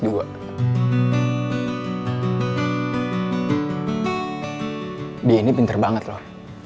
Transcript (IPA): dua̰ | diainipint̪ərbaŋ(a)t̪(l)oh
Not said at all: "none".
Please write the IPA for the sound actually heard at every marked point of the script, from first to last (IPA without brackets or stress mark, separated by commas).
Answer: ə, l